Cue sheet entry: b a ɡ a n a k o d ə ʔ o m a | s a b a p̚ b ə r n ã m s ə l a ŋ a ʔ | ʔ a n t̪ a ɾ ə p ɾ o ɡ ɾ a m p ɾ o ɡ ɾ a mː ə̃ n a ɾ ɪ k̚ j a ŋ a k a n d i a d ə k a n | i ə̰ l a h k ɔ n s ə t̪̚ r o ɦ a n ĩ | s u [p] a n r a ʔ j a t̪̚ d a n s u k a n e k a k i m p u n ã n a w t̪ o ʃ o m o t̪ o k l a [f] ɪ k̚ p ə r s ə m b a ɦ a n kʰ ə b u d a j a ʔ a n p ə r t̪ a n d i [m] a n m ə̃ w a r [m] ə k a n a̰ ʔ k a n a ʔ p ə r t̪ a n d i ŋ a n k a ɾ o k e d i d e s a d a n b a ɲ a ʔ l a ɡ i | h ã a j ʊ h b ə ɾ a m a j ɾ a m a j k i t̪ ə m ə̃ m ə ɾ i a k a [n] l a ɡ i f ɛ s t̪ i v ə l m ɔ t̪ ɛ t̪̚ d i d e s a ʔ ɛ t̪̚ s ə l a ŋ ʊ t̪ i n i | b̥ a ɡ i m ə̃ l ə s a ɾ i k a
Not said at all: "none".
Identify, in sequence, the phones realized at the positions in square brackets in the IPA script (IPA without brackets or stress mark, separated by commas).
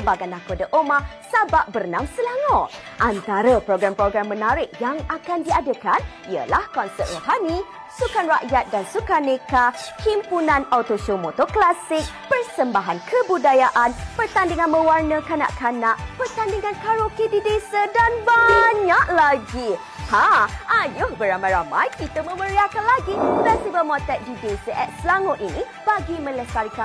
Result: k, s, ŋ, n, n